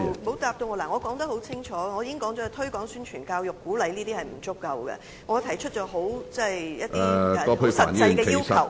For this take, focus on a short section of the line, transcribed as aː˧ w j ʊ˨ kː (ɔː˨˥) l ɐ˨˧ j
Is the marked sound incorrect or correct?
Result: incorrect